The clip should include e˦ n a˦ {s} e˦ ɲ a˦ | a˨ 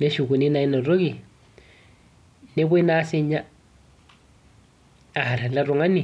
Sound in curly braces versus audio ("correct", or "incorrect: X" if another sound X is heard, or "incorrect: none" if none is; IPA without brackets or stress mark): correct